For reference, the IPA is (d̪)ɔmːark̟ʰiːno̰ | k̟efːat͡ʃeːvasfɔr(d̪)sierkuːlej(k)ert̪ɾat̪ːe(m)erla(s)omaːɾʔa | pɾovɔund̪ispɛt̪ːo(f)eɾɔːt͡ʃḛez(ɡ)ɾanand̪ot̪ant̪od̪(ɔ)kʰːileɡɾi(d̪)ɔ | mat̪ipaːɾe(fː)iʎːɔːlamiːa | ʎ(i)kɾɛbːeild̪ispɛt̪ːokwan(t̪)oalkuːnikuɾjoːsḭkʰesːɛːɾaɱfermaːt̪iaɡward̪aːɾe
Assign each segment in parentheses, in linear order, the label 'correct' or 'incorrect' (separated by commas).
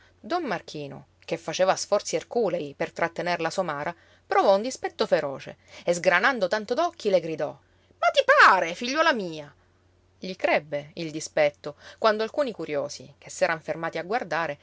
correct, incorrect, incorrect, incorrect, correct, correct, correct, correct, correct, incorrect, correct, incorrect